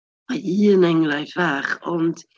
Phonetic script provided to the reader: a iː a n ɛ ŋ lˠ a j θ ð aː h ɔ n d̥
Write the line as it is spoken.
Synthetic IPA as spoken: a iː ə n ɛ ŋ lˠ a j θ v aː χ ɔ n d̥